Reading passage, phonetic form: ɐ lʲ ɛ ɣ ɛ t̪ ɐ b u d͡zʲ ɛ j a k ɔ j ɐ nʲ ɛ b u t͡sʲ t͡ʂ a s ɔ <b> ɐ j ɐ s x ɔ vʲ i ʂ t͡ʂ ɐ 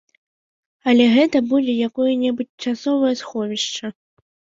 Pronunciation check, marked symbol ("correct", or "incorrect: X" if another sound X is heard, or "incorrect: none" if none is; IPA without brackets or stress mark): incorrect: v